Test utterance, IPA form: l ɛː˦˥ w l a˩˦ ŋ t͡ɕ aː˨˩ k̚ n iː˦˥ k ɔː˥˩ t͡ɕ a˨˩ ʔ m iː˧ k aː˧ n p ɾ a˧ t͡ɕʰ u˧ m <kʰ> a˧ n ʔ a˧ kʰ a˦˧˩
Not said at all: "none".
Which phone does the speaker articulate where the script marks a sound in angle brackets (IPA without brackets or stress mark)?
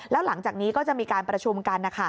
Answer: k